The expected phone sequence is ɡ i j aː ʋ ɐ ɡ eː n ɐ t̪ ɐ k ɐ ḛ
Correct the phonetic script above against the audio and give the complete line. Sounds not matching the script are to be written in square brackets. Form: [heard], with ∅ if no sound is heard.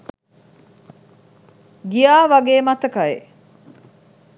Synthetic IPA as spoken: ɡ i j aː ʋ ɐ ɡ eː [m] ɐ t̪ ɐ k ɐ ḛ